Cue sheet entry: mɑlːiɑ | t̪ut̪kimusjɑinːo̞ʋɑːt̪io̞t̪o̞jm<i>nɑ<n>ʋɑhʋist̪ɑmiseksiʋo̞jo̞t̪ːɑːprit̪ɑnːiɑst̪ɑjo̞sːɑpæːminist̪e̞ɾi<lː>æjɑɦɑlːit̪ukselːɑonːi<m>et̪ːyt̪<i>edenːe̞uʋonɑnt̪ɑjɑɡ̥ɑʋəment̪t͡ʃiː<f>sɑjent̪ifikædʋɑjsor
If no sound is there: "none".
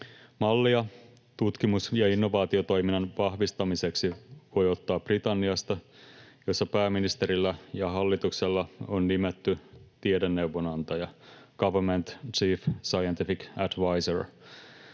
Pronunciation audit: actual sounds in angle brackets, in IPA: i, n, lː, m, i, f

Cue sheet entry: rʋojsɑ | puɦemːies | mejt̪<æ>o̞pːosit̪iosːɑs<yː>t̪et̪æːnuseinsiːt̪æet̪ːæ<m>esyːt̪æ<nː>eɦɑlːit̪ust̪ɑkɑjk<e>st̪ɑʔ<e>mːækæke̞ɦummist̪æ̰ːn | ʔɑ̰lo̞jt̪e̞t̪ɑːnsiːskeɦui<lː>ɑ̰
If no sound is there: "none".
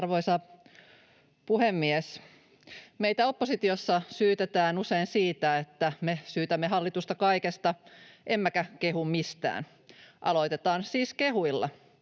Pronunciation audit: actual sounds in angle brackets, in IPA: æ, yː, m, mː, e, e, lː

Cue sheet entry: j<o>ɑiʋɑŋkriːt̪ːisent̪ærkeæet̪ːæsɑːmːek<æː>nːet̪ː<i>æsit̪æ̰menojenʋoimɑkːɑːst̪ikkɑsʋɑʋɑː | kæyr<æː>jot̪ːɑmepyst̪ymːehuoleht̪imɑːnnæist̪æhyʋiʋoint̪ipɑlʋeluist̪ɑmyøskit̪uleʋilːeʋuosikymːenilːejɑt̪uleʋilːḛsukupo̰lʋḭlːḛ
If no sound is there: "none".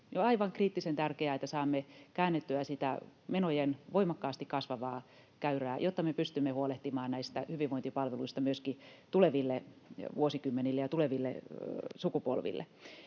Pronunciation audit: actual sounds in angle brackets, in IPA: o, æː, y, æː

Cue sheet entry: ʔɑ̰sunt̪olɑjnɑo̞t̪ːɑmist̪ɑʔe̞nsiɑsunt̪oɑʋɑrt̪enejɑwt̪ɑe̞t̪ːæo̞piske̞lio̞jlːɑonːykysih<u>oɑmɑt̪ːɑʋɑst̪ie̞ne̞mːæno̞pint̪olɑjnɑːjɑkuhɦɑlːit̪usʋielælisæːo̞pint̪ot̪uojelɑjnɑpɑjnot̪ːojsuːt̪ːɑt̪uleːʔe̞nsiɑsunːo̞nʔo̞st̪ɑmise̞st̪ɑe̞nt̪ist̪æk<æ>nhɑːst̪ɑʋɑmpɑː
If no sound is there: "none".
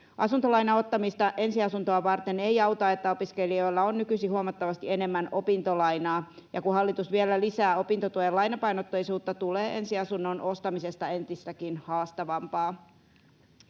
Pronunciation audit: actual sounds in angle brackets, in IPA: u, i

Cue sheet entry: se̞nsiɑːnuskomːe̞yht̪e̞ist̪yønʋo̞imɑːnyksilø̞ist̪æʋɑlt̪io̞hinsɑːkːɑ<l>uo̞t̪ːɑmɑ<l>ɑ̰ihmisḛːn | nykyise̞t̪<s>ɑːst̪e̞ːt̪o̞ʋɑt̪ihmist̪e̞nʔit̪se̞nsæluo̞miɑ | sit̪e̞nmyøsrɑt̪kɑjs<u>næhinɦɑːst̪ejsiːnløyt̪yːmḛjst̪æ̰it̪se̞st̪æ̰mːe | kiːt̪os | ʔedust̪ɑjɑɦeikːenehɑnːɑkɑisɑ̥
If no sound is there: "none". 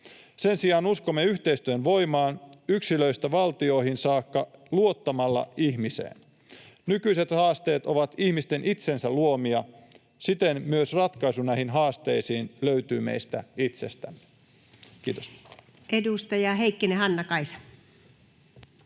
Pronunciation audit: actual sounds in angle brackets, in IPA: l, lː, h, u

